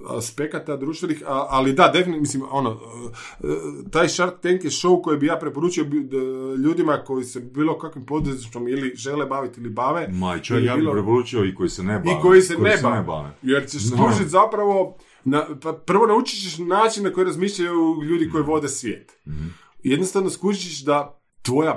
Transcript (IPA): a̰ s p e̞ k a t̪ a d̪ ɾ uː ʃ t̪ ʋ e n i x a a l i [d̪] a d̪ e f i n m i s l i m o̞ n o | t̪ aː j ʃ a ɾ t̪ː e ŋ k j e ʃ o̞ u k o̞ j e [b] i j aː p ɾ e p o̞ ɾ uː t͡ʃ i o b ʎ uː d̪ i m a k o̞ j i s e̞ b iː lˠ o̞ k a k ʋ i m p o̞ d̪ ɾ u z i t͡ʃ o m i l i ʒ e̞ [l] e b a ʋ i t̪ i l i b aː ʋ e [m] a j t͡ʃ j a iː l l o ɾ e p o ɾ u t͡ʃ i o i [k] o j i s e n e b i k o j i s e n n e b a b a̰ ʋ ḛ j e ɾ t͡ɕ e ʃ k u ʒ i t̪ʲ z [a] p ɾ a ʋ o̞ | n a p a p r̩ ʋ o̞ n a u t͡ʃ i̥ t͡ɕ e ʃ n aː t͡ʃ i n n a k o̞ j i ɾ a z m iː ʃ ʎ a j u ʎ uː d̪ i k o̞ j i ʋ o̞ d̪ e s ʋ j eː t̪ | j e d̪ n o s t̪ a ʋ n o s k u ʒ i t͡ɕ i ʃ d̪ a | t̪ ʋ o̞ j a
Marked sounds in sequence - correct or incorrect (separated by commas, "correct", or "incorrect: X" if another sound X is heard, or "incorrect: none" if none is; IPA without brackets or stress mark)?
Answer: correct, correct, correct, correct, correct, correct